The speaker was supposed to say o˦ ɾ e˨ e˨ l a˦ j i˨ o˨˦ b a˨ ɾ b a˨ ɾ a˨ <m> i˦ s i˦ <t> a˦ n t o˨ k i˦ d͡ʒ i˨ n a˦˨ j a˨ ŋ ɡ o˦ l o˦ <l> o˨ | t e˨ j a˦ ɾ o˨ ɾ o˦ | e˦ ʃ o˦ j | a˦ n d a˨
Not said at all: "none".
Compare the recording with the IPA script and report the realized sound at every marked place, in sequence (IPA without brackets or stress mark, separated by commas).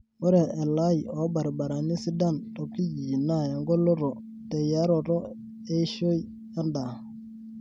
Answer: n, d, ɾ